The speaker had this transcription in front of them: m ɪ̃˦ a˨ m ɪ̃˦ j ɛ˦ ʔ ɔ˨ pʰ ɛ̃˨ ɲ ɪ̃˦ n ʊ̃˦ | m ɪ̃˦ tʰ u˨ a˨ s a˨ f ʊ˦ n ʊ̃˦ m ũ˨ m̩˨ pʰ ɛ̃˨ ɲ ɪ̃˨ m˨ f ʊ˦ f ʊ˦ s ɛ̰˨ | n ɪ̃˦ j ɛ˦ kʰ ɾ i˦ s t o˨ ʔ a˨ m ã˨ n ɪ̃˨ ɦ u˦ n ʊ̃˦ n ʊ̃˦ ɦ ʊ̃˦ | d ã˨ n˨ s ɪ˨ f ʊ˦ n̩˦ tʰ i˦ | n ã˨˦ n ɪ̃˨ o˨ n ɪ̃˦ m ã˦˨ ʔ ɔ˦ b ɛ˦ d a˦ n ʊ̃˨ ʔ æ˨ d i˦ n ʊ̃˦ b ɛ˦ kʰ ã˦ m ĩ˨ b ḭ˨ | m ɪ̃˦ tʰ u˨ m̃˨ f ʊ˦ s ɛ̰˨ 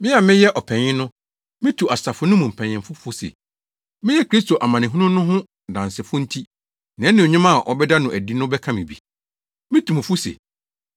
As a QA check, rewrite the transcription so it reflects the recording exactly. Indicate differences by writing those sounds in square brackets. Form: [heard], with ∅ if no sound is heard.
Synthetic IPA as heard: m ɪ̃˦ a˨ m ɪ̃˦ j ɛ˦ ʔ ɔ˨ pʰ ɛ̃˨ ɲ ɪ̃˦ n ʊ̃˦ | m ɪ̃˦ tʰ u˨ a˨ s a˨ f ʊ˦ n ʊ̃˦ m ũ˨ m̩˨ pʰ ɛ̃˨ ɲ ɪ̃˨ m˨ f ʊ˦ f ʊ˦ s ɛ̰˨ | [m] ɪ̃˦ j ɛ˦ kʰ ɾ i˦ s t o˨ ʔ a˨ m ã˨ n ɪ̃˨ ɦ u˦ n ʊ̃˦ n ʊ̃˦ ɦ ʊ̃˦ | d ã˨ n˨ s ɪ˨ f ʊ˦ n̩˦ tʰ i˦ | n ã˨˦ n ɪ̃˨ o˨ [ɲ] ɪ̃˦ m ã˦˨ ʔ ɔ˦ b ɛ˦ d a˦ n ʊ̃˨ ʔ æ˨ d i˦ n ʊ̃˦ b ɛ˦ kʰ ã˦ m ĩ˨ b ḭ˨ | m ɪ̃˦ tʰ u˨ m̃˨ f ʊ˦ s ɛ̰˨